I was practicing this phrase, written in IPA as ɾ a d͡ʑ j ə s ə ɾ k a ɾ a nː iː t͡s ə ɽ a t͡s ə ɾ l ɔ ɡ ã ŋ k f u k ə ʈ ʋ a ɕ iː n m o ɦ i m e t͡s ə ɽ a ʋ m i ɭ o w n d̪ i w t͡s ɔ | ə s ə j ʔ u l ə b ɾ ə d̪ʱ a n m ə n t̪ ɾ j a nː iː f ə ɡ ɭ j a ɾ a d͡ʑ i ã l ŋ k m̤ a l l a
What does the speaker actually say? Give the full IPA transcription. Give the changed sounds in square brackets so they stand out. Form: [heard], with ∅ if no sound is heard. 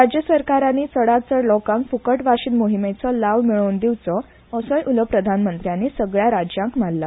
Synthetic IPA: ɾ a d͡ʑ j ə s ə ɾ k a ɾ a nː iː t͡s ə ɽ a t͡s ə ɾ l ɔ [k] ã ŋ k f u k ə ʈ ʋ a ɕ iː n m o ɦ i m e t͡s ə [l] a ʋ m i ɭ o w n d̪ i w t͡s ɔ | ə s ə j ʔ u l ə [p] ɾ ə d̪ʱ a n m ə n t̪ ɾ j a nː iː [s] ə ɡ ɭ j a ɾ a d͡ʑ [j] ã [∅] ŋ k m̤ a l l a